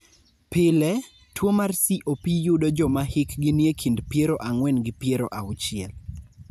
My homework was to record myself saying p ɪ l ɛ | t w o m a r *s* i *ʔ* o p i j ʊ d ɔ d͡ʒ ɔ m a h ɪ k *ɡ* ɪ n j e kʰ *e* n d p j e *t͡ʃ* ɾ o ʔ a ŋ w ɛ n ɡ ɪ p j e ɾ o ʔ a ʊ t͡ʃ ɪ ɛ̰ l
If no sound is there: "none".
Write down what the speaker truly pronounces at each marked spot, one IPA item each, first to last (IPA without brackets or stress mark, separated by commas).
s, ʔ, ɡ, i, none